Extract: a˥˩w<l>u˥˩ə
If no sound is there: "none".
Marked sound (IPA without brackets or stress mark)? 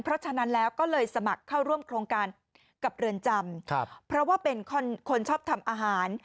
ɾ